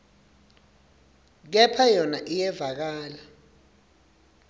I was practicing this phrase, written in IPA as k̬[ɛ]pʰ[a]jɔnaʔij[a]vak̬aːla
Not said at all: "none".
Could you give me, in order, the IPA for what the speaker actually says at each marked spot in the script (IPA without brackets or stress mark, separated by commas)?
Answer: ɛ, a, ɛ